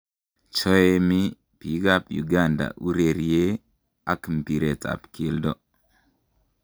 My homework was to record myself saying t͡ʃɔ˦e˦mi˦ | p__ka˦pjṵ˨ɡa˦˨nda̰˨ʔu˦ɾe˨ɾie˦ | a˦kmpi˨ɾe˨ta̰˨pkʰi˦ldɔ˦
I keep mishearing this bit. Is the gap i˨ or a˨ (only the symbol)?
i˨